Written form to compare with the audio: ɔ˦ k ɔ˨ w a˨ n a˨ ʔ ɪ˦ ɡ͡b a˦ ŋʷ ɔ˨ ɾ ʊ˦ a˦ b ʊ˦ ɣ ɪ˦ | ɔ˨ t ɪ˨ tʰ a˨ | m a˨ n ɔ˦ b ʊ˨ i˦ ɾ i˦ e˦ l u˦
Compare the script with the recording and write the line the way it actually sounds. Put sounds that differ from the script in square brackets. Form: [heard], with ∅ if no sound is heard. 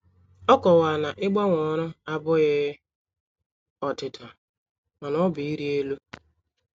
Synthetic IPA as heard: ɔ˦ k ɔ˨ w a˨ n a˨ ʔ ɪ˦ ɡ͡b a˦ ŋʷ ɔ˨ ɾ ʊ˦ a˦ b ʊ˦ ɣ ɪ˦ | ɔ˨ t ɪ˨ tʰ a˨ | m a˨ n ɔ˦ b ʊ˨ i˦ ɾ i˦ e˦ l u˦